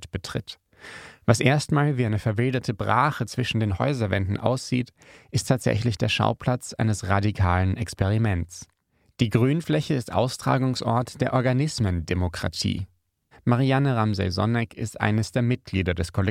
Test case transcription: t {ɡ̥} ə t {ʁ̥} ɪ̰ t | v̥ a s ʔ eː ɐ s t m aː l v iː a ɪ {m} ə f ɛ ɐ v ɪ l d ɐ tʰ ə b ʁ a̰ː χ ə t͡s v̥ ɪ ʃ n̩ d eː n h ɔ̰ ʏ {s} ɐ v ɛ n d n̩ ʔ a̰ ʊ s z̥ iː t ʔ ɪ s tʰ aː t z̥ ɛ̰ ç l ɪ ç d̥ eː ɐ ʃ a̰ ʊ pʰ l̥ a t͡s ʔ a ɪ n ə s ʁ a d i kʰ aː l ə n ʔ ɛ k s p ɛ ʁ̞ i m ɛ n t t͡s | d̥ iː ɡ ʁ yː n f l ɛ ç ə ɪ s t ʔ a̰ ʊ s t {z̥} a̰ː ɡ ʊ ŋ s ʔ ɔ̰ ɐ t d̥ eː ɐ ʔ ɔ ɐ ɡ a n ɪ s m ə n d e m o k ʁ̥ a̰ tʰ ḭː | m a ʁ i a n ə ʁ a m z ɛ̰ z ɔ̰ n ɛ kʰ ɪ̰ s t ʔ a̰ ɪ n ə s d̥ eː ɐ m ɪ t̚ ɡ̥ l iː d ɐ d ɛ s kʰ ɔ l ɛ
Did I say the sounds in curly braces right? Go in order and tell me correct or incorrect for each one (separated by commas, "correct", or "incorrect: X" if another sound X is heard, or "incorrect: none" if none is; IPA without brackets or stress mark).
incorrect: b̥, correct, incorrect: n, incorrect: z, incorrect: ʁ̥